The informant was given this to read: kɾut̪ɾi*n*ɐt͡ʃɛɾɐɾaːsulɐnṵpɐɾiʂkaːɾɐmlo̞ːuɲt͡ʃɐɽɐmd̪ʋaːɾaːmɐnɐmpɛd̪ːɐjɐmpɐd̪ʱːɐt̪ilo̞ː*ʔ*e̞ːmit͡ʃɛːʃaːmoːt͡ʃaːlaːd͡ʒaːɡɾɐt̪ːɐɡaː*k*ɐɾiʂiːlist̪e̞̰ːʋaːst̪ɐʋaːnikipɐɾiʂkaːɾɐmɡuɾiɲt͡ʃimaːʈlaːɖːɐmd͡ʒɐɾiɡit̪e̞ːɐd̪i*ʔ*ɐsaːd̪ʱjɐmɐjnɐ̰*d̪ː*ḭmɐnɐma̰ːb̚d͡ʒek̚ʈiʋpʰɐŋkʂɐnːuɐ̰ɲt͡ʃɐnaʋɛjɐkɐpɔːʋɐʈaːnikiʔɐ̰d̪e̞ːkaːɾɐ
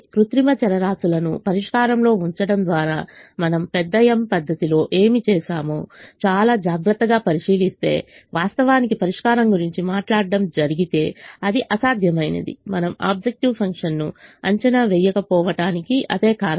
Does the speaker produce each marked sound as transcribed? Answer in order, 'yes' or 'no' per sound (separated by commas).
no, yes, no, yes, no